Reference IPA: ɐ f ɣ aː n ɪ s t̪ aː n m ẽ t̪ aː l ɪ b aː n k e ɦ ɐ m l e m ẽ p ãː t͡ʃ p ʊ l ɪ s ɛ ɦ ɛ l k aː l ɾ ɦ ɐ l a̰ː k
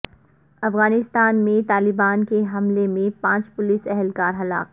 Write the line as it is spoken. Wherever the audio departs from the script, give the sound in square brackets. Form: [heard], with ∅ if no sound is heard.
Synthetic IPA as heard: ɐ f ɣ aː n ɪ s t̪ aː n m ẽ t̪ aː l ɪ b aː n k e ɦ ɐ m l e m ẽ p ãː t͡ʃ p ʊ l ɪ s ɛ ɦ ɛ l k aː [∅] ɾ ɦ ɐ l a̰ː k

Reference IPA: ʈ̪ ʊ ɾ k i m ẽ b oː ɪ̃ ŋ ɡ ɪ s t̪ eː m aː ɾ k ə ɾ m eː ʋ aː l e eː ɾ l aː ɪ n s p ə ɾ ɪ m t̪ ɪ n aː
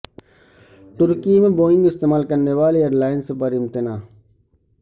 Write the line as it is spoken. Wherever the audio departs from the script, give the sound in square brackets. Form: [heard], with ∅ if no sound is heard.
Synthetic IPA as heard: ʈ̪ ʊ ɾ k i m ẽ b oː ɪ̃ ŋ ɡ ɪ s t̪ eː m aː [l] k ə ɾ [n] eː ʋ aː l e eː ɾ l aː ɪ n s p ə ɾ ɪ m t̪ ɪ n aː

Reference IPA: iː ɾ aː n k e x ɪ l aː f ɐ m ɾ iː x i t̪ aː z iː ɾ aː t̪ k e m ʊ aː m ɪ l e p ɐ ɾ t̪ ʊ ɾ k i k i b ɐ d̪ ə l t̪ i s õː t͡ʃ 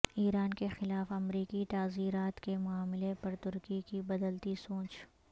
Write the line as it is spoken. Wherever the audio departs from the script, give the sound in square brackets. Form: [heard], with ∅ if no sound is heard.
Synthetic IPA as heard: iː ɾ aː n k e x ɪ l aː f ɐ m ɾ iː [k] i t̪ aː z iː ɾ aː t̪ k e m ʊ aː m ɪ l e p ɐ ɾ t̪ ʊ ɾ k i k i b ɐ d̪ ə l t̪ i s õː t͡ʃ

